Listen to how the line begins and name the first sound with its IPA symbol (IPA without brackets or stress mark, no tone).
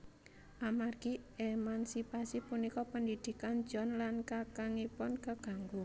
ʔ